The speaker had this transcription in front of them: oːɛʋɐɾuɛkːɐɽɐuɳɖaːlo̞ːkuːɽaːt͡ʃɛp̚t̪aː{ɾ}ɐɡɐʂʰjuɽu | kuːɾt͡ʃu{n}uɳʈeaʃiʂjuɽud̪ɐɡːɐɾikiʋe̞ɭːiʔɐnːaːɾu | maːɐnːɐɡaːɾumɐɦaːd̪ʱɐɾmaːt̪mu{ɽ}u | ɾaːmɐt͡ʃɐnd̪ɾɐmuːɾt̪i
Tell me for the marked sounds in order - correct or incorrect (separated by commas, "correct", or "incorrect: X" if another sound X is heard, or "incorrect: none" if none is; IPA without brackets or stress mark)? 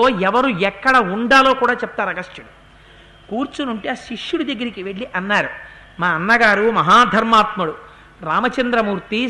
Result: correct, correct, correct